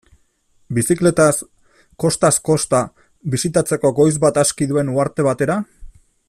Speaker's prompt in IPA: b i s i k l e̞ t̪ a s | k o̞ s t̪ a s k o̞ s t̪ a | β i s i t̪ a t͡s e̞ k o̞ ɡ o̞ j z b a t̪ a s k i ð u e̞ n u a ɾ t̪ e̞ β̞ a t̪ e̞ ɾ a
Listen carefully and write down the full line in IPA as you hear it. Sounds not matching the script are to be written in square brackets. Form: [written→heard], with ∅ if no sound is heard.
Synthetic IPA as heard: b i s i k l e̞ t̪ a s | k o̞ s t̪ a s k o̞ s t̪ a | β i s i t̪ a t͡s e̞ k o̞ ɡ o̞ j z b a t̪ a s k i ð u e̞ n u a ɾ t̪ e̞ β̞ a t̪ e̞ ɾ a